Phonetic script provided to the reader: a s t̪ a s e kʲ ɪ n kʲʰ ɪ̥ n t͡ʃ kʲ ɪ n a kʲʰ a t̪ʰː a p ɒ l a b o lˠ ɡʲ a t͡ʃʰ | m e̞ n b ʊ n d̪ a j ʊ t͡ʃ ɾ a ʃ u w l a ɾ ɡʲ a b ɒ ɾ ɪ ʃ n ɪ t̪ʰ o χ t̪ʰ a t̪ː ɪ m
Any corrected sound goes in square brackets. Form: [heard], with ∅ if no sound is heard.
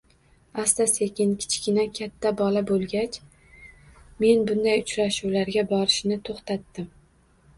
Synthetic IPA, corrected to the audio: a s t̪ a s e kʲ ɪ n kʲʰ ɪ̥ [∅] t͡ʃ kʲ ɪ n a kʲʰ a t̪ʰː a [b] ɒ l a b o lˠ ɡʲ a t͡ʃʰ | m e̞ n b ʊ n d̪ a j ʊ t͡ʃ ɾ a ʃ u w l a ɾ ɡʲ a b ɒ ɾ ɪ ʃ n ɪ t̪ʰ o χ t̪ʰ a t̪ː ɪ m